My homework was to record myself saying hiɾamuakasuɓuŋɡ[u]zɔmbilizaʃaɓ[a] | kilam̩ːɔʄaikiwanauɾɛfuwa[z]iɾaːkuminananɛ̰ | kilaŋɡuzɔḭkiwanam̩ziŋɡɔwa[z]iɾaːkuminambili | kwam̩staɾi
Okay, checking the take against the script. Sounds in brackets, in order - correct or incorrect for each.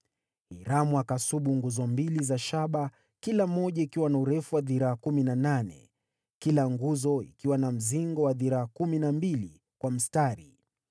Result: correct, correct, incorrect: ð, incorrect: ð

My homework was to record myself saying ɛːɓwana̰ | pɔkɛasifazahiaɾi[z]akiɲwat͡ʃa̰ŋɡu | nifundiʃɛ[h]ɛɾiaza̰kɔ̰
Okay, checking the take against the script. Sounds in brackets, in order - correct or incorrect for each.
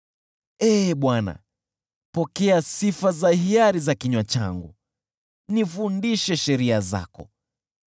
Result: correct, incorrect: ʃ

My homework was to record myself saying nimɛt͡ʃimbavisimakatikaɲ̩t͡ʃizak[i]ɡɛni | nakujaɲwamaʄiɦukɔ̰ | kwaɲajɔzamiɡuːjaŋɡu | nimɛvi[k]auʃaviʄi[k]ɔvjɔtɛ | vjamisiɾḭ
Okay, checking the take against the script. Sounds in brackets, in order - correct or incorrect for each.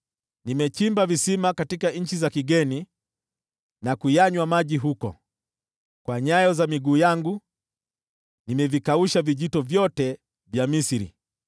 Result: correct, correct, incorrect: t

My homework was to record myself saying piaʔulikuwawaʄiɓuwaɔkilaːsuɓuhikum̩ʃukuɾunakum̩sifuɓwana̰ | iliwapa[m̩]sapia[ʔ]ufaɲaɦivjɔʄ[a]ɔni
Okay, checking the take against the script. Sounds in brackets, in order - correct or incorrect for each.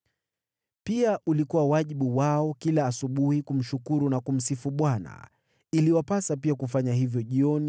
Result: incorrect: none, incorrect: k, incorrect: i

